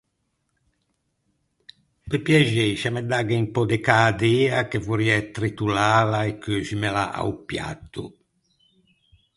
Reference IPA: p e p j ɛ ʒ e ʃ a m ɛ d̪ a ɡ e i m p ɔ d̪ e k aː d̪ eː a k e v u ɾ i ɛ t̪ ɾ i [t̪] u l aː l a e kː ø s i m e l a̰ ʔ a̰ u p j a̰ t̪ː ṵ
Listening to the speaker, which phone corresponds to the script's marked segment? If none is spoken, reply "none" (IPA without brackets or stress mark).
t̪